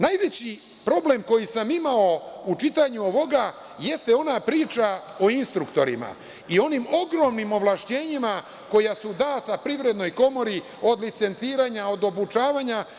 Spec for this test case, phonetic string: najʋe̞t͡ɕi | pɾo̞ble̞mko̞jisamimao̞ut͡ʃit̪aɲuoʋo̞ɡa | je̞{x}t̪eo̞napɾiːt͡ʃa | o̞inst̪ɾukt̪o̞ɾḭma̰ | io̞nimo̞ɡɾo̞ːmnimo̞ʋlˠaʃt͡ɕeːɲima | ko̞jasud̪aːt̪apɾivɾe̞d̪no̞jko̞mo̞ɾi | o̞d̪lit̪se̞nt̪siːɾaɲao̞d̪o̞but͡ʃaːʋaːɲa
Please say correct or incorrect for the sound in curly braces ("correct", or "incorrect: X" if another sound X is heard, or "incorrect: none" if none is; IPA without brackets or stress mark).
incorrect: s